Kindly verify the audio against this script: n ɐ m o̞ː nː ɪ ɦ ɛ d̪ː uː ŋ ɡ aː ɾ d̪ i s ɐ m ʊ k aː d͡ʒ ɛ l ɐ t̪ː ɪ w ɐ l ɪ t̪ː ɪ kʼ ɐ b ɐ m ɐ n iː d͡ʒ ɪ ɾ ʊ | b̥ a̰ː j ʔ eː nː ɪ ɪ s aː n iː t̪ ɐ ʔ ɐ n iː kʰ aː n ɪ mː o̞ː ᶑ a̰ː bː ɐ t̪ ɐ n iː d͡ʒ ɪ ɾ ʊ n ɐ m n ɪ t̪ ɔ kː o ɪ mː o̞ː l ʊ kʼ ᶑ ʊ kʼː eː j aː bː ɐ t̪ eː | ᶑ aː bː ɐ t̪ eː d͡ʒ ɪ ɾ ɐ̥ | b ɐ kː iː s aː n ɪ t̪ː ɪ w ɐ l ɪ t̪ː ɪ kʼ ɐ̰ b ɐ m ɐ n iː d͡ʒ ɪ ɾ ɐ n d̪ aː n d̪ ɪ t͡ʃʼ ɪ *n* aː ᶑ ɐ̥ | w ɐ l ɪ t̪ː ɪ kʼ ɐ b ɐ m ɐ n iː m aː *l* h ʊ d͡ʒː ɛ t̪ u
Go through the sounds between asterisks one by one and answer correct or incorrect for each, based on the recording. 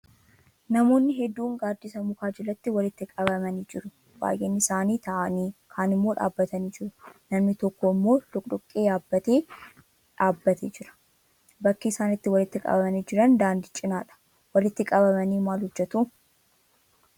correct, correct

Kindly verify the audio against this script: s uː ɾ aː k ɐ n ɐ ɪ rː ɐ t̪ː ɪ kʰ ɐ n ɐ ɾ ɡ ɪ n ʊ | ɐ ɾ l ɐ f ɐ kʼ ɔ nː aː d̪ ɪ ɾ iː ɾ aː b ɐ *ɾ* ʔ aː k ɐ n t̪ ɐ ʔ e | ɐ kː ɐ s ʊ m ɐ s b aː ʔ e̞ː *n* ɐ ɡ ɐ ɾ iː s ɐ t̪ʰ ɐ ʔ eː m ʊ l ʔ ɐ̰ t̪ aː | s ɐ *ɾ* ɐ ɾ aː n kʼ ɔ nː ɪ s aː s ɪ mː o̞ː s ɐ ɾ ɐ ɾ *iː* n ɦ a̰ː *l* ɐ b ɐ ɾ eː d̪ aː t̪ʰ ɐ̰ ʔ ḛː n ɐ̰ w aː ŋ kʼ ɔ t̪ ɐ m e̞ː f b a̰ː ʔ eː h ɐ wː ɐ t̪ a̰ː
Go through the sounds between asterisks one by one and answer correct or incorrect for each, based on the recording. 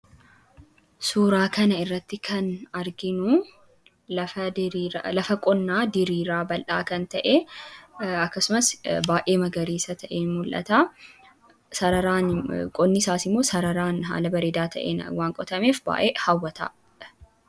incorrect, incorrect, correct, incorrect, correct

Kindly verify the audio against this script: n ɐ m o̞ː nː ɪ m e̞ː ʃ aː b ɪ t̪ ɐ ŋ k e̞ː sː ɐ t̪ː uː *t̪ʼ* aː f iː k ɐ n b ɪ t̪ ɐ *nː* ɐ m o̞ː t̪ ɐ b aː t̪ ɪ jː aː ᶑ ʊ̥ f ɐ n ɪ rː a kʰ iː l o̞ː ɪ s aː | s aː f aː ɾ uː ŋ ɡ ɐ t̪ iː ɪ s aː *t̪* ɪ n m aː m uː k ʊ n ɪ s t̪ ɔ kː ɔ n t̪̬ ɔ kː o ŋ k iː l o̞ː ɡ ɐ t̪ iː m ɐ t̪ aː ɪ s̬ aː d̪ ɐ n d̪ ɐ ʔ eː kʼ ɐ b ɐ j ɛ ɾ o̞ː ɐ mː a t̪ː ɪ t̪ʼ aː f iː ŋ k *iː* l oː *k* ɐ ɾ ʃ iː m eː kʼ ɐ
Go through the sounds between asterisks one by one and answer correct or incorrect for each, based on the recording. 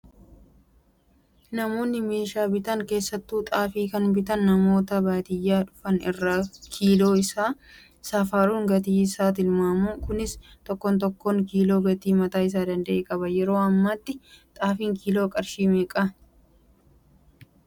correct, correct, correct, correct, incorrect

